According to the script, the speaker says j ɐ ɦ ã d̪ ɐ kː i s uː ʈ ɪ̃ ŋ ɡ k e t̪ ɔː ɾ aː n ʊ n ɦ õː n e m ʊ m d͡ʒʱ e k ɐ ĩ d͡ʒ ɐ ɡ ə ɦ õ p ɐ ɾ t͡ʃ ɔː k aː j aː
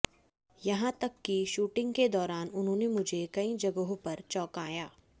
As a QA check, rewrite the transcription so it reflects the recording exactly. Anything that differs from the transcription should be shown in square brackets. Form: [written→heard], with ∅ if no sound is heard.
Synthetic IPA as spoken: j ɐ ɦ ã [d̪→t̪] ɐ kː i [s→ʃ] uː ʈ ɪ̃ ŋ ɡ k e [t̪→d̪] ɔː ɾ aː n ʊ n ɦ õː n e m ʊ [m→∅] d͡ʒʱ e k ɐ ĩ d͡ʒ ɐ ɡ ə ɦ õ p ɐ ɾ t͡ʃ ɔː k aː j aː